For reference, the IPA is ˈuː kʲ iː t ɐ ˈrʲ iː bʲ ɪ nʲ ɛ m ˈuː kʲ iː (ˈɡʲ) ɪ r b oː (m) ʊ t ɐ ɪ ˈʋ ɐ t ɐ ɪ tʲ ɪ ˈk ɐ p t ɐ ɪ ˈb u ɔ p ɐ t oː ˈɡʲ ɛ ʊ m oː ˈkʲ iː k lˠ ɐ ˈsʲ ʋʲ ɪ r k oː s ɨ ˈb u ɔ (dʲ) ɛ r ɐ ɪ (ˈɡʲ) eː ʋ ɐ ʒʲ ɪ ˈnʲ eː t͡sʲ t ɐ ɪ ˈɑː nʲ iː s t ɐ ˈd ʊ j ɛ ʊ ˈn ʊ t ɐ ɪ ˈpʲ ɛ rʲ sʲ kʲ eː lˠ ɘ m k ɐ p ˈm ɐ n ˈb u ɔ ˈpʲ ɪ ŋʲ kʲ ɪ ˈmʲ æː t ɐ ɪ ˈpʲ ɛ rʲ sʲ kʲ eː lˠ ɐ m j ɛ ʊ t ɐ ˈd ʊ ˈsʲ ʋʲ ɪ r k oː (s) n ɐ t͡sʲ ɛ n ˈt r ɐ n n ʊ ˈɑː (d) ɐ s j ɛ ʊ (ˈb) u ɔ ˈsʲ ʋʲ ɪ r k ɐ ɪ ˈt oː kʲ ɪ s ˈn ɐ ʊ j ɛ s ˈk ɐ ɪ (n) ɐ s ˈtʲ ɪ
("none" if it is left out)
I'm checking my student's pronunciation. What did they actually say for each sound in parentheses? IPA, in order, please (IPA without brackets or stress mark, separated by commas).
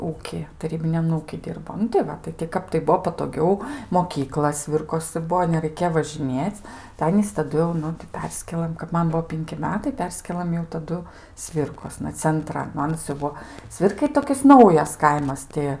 dʲ, n, nʲ, kʲ, s, n, b, m